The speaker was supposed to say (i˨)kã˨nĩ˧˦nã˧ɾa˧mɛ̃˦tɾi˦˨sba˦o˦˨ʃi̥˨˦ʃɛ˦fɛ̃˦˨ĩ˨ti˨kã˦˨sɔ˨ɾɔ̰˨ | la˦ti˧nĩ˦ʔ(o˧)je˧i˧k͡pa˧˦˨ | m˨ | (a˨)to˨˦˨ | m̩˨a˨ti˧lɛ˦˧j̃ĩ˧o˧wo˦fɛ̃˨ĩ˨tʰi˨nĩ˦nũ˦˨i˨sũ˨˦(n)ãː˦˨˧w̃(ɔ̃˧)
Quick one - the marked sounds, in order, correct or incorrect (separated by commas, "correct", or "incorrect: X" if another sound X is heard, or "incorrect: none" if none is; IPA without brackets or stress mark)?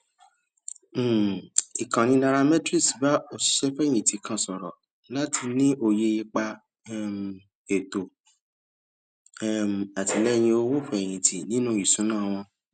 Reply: correct, correct, incorrect: e˨, correct, correct